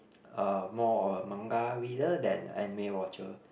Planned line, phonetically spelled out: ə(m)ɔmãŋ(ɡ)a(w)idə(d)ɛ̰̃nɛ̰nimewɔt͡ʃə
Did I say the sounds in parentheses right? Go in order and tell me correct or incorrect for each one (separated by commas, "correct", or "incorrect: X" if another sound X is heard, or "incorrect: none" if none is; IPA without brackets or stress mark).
correct, correct, correct, correct